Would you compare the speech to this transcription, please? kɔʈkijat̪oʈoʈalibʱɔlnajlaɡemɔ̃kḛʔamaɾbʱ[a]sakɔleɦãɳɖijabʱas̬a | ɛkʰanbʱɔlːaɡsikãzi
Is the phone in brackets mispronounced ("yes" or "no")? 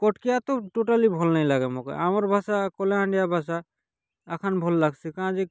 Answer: no